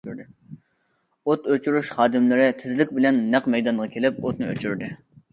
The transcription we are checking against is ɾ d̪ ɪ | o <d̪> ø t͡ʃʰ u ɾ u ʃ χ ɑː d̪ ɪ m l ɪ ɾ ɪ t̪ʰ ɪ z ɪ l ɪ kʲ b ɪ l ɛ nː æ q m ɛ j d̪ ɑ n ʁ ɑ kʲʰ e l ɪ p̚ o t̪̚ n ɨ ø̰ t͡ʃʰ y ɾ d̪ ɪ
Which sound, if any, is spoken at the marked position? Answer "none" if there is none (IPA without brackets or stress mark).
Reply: t̪